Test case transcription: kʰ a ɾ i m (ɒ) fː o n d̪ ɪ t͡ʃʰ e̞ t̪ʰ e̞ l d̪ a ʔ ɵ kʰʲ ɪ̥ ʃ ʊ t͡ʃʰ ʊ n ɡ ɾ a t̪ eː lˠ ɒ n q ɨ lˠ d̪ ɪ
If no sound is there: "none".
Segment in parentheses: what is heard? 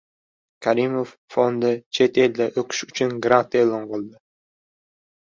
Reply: o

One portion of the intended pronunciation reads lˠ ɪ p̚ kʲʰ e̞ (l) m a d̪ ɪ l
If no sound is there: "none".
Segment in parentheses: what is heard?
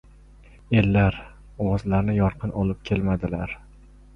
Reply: l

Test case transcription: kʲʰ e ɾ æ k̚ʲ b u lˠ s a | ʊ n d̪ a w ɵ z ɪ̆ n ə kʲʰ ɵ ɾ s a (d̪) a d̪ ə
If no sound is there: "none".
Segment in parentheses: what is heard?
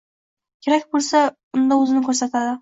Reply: t̪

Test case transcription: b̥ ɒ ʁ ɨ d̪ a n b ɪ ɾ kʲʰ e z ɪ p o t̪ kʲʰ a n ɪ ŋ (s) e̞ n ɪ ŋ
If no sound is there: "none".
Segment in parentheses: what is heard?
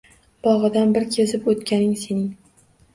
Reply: s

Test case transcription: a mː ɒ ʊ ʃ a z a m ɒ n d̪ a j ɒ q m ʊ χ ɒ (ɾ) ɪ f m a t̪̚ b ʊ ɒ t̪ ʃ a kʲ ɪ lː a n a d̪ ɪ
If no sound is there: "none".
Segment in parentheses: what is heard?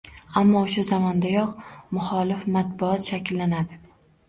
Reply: l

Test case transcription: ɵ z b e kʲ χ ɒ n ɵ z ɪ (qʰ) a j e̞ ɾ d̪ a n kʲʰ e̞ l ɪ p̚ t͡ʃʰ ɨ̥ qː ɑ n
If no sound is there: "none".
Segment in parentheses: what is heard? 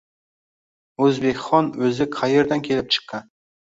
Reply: qʰ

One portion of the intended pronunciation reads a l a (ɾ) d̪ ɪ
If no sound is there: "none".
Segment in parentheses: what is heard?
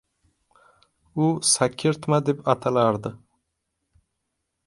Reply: ɾ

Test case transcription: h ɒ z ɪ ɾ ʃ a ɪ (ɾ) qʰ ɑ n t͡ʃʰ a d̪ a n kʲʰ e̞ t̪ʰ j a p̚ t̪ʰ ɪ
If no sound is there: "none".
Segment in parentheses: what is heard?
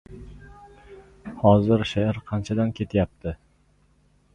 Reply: ɾ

